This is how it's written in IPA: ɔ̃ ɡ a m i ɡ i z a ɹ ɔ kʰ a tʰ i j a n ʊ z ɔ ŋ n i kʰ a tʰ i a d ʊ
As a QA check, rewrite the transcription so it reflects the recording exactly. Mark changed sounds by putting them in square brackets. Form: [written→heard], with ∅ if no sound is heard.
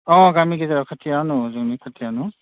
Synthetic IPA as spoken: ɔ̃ ɡ a m i ɡ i z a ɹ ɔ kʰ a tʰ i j a n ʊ z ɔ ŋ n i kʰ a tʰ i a [d→n] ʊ